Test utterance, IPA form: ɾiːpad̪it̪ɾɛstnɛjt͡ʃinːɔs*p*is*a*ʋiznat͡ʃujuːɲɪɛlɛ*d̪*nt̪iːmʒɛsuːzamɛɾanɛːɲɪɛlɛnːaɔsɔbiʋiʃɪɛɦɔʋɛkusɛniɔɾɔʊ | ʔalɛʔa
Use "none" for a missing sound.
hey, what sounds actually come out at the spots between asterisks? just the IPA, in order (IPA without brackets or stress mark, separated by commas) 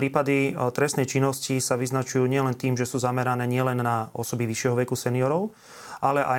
c, a, none